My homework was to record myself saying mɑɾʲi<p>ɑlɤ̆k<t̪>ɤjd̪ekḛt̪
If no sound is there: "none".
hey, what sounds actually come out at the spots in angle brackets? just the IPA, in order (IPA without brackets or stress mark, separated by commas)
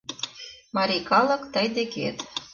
k, t̪